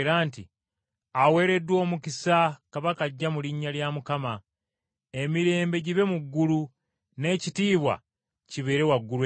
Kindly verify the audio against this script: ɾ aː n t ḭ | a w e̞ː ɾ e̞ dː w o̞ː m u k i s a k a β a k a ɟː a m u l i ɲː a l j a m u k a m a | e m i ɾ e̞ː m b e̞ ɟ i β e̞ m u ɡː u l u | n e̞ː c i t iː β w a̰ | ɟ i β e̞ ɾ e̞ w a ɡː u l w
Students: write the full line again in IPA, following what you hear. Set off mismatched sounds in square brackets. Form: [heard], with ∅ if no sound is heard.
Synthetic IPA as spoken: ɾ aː n t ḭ | a w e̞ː ɾ e̞ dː w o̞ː m u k i s a k a β a k a ɟː a m u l i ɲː a l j a m u k a m a | e m i ɾ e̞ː m b e̞ ɟ i β e̞ m u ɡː u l u | n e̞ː c i t iː β w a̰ | [c] i β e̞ ɾ e̞ w a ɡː u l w